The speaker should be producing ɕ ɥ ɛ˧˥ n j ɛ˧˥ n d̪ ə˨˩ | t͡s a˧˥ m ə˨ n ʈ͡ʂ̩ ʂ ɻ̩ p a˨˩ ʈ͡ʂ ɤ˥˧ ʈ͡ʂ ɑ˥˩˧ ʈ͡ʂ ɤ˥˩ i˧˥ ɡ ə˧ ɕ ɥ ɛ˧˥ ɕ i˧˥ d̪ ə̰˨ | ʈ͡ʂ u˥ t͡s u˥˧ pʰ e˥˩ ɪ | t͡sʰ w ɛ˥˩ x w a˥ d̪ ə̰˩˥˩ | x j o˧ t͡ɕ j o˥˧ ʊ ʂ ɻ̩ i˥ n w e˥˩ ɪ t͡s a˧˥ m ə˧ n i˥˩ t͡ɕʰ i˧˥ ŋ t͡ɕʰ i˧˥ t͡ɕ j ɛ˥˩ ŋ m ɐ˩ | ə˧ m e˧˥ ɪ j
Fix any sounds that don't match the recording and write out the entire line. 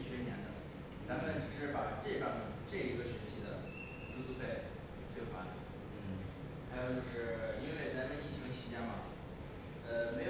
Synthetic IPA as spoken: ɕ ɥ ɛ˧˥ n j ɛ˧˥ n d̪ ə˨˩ | t͡s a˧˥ m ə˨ n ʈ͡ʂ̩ ʂ ɻ̩ p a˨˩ ʈ͡ʂ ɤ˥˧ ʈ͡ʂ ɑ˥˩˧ ʈ͡ʂ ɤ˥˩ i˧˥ ɡ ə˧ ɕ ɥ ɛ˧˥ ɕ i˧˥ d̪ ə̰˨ | ʈ͡ʂ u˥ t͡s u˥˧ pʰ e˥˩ ɪ | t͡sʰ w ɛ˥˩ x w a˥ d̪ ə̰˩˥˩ | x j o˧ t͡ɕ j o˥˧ ʊ ʂ ɻ̩ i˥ n w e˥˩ ɪ t͡s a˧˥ m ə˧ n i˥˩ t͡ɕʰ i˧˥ ŋ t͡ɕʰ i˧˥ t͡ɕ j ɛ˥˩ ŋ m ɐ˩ | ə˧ m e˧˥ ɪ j